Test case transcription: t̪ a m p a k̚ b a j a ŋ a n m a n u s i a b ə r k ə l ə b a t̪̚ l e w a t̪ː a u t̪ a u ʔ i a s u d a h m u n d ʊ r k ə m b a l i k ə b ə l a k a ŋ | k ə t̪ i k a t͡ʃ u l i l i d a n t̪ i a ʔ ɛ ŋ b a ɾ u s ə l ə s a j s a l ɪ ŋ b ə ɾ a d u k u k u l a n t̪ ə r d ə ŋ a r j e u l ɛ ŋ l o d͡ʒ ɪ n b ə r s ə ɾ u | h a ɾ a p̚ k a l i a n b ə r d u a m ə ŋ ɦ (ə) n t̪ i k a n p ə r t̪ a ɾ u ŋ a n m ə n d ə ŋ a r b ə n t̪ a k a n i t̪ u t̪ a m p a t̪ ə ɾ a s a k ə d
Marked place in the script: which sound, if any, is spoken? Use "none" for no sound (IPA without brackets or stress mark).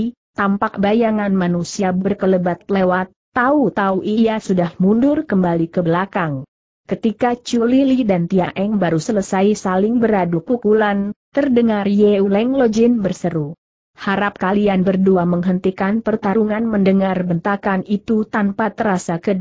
ə